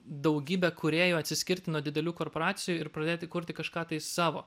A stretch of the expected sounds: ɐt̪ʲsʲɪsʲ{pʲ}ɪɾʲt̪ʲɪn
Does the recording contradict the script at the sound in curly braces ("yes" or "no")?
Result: yes